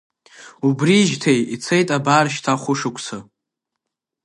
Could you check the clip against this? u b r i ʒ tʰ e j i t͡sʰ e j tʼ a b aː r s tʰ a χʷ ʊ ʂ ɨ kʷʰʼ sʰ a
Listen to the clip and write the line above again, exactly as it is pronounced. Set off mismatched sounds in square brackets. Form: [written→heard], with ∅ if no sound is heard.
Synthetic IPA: u b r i ʒ tʰ e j i t͡sʰ e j tʼ a b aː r [s→ʃ] tʰ a χʷ ʊ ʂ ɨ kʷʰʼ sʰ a